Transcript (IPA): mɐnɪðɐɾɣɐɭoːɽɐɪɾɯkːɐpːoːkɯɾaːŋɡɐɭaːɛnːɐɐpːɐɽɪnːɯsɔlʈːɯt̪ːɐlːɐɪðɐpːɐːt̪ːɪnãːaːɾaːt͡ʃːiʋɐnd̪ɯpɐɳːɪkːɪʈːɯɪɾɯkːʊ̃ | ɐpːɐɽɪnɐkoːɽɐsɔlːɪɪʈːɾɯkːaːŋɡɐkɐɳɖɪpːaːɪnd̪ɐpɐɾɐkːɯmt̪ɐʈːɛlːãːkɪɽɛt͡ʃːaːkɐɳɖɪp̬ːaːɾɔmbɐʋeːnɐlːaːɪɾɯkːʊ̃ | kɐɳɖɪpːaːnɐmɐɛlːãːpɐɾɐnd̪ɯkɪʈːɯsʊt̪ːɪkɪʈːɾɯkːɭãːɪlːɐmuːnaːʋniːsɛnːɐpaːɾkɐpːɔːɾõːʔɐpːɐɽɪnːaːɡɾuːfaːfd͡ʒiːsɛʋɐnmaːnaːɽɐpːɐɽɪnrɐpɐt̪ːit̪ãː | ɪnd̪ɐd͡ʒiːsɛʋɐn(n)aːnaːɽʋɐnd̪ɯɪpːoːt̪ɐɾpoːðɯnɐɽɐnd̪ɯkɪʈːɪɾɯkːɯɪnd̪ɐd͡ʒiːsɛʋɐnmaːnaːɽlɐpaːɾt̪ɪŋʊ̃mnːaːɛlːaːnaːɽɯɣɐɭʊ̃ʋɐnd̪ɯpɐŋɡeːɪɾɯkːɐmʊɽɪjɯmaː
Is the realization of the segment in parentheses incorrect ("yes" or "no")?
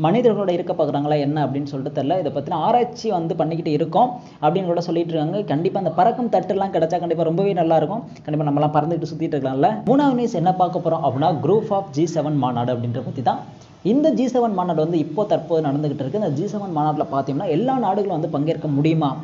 yes